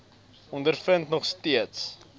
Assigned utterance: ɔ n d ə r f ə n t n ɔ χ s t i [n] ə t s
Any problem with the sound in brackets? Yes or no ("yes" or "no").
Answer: yes